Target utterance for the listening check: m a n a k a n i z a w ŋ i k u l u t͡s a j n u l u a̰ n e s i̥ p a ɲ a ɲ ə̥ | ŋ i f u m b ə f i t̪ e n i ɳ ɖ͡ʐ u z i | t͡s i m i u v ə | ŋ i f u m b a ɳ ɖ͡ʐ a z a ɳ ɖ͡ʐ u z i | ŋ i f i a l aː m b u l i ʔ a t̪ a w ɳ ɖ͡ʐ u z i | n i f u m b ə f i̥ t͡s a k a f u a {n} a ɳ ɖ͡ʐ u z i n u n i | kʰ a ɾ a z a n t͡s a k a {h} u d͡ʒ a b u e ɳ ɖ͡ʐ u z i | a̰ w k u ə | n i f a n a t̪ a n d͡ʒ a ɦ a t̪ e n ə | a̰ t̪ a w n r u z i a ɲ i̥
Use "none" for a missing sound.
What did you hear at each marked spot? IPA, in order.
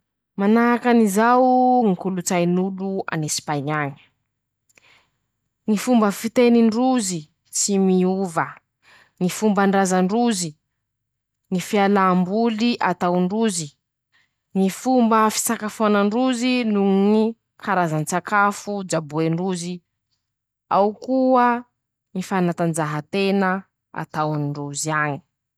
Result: n, f

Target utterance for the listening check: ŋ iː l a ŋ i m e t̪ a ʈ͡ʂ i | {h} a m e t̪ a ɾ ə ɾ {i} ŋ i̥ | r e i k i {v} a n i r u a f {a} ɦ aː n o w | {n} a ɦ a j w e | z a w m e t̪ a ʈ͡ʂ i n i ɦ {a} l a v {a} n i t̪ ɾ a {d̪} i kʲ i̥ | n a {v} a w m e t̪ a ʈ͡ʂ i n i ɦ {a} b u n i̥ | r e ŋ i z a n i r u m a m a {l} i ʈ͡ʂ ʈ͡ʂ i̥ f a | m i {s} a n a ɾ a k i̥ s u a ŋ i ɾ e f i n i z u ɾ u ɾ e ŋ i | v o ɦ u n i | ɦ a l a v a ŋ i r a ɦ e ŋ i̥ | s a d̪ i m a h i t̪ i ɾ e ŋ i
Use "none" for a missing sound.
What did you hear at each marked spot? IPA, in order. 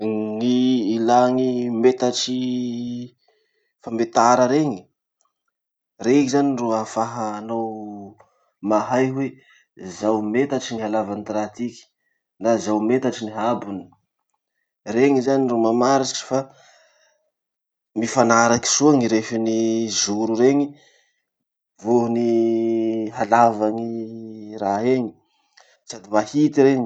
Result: f, e, z, a, m, a, a, t̪, z, a, ɾ, f

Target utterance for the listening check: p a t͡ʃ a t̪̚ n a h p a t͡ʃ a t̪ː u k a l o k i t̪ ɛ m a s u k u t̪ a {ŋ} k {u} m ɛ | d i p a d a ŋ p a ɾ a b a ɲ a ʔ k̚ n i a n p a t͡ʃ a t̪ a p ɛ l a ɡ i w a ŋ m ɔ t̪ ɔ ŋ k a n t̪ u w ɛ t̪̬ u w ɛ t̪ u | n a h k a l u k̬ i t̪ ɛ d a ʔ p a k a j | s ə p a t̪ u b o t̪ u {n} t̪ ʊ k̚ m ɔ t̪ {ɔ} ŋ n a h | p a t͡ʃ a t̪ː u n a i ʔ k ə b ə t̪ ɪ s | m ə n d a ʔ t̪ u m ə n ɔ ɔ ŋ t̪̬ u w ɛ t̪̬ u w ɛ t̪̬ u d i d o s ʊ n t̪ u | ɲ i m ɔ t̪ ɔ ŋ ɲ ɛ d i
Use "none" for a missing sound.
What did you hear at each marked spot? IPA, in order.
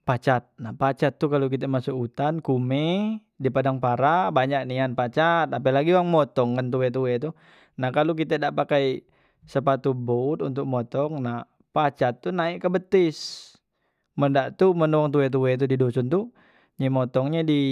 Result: n, u, n, ɔ

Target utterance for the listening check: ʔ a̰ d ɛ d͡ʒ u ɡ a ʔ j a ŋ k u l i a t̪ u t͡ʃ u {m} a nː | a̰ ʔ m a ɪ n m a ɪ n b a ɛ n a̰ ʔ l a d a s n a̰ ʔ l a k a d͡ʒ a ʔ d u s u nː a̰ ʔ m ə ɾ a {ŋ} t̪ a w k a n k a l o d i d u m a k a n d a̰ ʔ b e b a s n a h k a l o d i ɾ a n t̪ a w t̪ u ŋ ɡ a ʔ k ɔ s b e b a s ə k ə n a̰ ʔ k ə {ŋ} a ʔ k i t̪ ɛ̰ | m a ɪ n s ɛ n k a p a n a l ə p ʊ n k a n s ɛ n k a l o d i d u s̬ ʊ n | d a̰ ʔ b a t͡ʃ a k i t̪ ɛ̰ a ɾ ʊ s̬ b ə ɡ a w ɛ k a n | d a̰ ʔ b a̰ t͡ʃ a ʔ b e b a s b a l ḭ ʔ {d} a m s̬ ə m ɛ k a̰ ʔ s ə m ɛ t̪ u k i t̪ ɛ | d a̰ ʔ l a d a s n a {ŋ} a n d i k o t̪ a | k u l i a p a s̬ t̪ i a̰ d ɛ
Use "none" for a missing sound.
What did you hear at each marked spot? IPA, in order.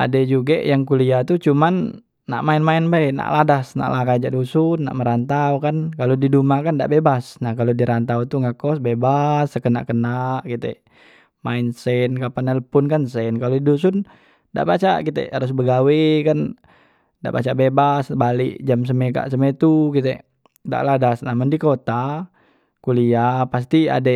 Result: m, n, n, d͡ʒ, m

